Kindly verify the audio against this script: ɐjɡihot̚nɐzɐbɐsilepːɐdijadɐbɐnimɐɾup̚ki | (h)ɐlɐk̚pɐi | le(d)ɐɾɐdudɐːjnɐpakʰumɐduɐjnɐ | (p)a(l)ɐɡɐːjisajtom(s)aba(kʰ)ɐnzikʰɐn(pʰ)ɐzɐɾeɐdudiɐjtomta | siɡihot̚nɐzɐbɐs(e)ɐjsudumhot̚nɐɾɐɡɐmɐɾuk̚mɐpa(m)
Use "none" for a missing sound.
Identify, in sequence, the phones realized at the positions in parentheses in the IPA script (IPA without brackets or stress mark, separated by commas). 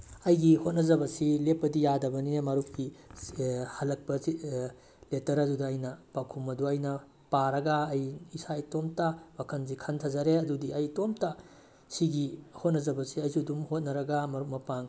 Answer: h, t, p, ɾ, t, kʰ, tʰ, i, ŋ